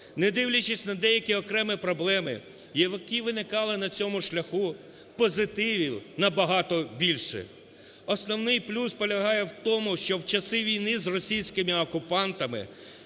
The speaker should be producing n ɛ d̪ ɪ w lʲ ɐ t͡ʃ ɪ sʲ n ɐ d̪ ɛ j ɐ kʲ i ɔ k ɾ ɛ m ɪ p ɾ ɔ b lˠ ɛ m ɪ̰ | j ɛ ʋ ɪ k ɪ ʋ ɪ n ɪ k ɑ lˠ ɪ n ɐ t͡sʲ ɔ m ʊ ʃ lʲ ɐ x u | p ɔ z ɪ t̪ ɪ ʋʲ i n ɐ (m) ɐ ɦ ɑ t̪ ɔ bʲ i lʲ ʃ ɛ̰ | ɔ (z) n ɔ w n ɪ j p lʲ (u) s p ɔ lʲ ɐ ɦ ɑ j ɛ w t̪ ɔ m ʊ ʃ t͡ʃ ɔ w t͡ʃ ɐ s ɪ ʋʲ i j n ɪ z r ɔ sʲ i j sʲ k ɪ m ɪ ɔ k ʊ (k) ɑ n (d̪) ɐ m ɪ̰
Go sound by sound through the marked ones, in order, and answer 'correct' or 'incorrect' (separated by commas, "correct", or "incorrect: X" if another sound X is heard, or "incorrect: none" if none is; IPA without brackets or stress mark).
incorrect: b, incorrect: s, correct, incorrect: p, incorrect: t̪